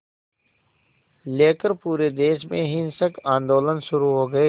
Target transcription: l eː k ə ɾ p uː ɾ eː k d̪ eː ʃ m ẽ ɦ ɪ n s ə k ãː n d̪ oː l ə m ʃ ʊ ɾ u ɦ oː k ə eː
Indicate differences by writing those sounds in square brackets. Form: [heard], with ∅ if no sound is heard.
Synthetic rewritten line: l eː k ə ɾ p uː ɾ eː [∅] d̪ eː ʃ m ẽ ɦ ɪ n s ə k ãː n d̪ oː l ə [n] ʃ ʊ ɾ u ɦ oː [ɡ] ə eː